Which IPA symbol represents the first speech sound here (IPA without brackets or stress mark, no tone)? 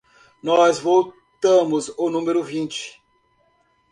n